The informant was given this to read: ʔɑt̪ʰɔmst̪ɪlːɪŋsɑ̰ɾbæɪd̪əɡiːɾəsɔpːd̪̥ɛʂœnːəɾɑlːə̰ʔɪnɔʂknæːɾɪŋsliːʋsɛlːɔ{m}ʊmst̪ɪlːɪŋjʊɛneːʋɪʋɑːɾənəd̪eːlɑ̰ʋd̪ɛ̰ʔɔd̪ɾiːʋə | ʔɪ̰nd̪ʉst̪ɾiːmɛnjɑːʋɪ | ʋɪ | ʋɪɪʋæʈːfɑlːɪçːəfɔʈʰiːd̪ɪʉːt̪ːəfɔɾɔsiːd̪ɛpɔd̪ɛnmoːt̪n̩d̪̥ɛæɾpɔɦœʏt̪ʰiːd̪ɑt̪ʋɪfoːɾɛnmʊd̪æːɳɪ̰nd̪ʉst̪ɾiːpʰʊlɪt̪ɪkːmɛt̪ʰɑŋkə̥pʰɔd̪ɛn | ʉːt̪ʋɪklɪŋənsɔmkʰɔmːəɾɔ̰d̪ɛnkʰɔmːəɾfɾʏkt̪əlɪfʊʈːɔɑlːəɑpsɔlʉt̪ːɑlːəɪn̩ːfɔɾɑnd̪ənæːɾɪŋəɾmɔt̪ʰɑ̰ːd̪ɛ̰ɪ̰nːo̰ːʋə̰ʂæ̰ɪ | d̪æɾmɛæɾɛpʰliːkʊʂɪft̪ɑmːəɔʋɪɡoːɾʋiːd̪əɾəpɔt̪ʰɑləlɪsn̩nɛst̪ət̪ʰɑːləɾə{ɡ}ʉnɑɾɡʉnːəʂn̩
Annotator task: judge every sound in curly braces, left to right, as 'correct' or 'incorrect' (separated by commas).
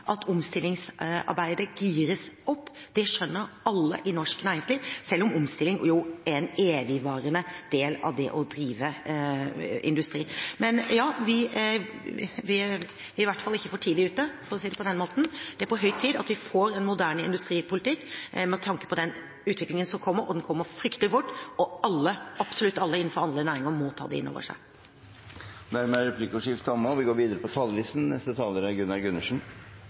correct, correct